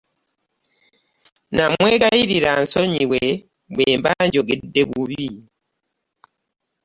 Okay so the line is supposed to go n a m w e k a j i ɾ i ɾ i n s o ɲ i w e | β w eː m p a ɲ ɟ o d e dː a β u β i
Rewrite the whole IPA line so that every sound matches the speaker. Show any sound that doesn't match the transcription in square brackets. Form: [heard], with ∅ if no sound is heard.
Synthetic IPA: n a m w e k a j i ɾ i ɾ [a] n s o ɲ i w e | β w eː m [b] a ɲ ɟ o [ɡ] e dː [e] β u β i